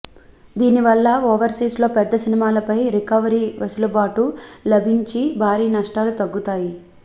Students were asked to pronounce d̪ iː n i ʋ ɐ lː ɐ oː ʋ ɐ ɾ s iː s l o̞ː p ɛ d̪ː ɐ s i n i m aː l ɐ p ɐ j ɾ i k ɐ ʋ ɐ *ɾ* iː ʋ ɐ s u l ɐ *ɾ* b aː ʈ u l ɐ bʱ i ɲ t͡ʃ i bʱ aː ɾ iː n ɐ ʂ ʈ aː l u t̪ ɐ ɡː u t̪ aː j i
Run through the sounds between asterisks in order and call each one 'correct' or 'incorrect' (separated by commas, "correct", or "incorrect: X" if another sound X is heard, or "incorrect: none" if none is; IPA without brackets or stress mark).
correct, incorrect: none